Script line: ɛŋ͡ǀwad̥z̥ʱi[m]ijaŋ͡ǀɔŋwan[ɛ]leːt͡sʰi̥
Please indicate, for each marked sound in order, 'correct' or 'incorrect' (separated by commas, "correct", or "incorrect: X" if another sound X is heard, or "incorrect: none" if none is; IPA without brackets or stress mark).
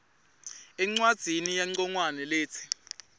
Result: incorrect: n, correct